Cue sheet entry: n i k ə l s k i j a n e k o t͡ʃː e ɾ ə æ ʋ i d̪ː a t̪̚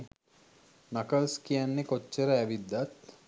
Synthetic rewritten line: n a k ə l s k i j a nː e k o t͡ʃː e ɾ ə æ ʋ i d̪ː a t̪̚

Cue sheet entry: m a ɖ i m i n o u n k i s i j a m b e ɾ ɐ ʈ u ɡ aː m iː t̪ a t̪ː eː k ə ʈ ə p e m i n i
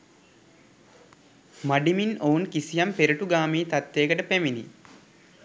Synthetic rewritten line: m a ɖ i m i n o u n k i s i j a m p e ɾ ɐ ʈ u ɡ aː m iː t̪ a t̪ː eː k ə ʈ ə p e m i n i

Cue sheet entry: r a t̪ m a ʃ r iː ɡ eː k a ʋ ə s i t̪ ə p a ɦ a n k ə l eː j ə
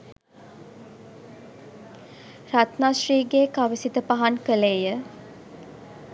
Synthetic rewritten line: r a t̪ n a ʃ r iː ɡ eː k a ʋ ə s i t̪ ə p a ɦ a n k ə l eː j ə

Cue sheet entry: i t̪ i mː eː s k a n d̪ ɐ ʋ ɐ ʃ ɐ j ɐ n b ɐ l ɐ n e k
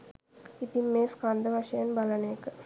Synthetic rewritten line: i t̪ i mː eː s k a n d̪ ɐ ʋ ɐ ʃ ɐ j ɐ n b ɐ l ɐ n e k

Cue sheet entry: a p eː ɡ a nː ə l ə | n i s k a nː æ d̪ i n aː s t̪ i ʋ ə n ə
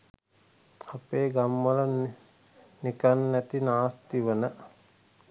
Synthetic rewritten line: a p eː ɡ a mː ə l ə | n i k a nː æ t̪ i n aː s t̪ i ʋ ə n ə

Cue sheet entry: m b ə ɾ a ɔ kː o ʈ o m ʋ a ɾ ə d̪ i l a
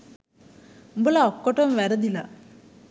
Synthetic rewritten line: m b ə l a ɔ kː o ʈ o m ʋ æ ɾ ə d̪ i l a

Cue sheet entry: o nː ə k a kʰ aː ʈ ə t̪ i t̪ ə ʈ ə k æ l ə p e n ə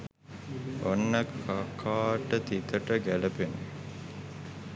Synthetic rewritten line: o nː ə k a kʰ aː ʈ ə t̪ i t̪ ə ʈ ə ɡ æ l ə p e n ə

